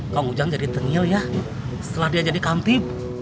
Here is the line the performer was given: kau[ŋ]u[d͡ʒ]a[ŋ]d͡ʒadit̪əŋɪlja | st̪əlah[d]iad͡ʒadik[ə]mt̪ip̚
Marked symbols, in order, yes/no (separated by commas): yes, yes, yes, yes, no